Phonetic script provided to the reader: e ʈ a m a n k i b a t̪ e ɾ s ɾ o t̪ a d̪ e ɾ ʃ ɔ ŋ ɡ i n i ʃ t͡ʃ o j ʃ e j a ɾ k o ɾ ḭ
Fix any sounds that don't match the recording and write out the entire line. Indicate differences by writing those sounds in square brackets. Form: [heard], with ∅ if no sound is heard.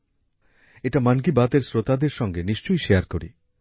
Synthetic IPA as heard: e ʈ a m a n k i b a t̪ e ɾ s ɾ o t̪ a d̪ e ɾ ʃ ɔ ŋ ɡ [e] n i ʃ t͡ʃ o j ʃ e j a ɾ k o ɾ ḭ